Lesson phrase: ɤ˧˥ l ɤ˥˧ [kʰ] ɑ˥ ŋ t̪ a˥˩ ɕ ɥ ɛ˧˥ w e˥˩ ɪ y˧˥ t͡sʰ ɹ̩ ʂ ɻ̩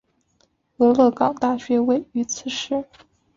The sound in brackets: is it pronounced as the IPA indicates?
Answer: no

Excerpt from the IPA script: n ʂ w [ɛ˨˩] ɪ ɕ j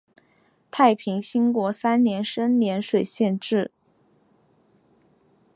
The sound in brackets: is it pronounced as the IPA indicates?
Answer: no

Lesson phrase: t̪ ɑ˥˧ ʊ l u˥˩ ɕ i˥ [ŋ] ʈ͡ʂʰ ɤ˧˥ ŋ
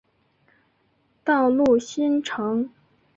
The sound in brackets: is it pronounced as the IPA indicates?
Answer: no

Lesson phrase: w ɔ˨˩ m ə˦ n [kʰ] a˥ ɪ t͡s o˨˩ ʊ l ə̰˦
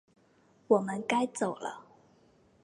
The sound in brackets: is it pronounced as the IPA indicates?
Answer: no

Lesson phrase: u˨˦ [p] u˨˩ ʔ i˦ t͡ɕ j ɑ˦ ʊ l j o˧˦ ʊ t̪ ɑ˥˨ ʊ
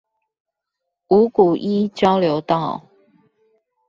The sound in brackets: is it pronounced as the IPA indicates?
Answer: no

